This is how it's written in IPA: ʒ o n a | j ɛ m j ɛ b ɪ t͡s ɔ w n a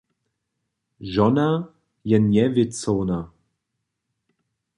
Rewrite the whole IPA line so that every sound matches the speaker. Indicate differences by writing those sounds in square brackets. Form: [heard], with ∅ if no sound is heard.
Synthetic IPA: ʒ [ɔ] n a | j ɛ [n] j ɛ [v] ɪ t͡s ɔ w n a